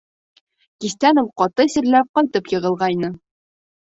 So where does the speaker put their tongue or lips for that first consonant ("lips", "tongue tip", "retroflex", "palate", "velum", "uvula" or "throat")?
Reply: velum